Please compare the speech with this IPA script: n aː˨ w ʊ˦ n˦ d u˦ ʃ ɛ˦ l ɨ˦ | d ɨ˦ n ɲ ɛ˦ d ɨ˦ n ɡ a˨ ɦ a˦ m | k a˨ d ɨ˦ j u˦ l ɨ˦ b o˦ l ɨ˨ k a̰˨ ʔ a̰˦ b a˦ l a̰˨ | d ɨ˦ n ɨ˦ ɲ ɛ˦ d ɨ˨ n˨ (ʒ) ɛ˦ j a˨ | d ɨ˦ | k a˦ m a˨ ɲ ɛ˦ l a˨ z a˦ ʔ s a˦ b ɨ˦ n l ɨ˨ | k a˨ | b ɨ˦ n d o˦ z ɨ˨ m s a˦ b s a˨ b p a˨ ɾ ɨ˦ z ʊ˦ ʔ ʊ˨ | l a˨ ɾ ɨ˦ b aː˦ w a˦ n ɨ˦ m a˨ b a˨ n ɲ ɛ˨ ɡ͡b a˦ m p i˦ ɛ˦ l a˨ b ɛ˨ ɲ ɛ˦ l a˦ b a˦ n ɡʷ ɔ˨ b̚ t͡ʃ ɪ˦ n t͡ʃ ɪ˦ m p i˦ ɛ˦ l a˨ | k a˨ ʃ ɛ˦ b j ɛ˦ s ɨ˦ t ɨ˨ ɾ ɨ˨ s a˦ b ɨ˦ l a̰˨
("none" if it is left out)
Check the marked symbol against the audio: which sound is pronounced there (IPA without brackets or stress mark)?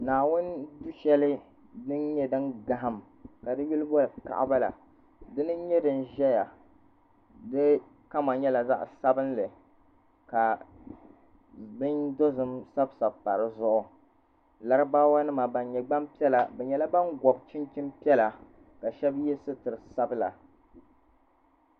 ʒ